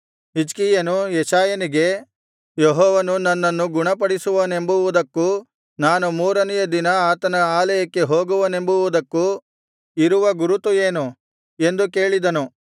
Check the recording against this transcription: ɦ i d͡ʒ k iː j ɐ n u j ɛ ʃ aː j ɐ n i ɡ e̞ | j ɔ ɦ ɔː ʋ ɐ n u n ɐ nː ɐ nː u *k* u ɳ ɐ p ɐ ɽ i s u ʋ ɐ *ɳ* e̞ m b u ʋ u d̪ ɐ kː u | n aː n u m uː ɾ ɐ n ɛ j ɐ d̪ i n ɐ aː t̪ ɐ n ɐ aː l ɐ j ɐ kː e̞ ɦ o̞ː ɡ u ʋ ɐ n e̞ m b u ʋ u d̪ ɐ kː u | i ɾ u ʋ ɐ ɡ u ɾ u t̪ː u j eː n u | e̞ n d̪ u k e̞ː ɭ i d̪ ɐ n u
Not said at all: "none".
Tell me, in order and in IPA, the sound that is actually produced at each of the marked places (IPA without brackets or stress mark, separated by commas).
ɡ, n